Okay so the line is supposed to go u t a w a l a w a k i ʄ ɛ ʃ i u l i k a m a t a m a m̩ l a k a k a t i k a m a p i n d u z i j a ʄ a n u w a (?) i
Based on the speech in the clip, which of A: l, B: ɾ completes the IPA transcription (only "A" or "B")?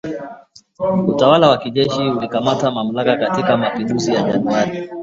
B